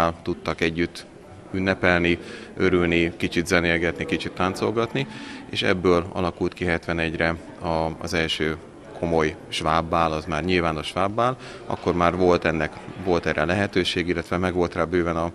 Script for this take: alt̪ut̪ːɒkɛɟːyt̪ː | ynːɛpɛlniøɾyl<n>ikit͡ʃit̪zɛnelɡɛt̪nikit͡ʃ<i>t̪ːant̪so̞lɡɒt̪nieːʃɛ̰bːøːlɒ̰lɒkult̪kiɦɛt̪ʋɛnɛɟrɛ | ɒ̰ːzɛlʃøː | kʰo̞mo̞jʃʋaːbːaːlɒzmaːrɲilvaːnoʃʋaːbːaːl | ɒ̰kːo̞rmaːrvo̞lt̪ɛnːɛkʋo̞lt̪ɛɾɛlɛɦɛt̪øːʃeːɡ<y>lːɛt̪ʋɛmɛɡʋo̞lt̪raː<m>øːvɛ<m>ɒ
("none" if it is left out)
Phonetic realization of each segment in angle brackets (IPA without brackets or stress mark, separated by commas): n, i, i, b, n